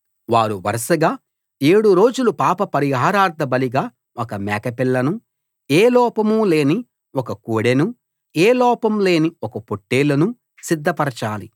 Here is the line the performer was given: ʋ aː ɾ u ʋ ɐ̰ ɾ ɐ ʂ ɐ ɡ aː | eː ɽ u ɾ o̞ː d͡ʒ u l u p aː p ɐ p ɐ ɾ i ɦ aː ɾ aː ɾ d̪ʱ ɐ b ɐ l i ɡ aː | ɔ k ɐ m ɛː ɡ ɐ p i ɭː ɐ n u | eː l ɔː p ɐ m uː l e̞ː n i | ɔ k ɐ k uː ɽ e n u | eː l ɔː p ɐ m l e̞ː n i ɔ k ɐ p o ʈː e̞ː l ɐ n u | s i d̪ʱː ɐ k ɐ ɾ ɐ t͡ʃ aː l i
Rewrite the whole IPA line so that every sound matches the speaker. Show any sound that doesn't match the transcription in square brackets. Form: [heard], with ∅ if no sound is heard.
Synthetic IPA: ʋ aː ɾ u ʋ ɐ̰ ɾ ɐ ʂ ɐ ɡ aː | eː ɽ u ɾ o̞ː d͡ʒ u l u p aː p ɐ p ɐ ɾ i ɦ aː ɾ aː ɾ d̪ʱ ɐ b ɐ l i ɡ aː | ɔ k ɐ m ɛː [k] ɐ p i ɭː ɐ n u | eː l ɔː p ɐ m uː l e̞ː n i | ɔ k ɐ k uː ɽ e n u | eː l ɔː p ɐ m l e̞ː n i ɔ k ɐ p o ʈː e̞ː l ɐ n u | s i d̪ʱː ɐ [p] ɐ ɾ ɐ t͡ʃ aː l i